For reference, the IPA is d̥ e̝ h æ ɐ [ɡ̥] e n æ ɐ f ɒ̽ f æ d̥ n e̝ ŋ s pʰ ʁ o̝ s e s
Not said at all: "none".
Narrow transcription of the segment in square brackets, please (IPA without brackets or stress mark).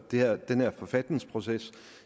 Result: d̥